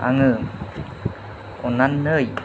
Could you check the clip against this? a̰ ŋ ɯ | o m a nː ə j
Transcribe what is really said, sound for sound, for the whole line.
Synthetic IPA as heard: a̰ ŋ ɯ | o n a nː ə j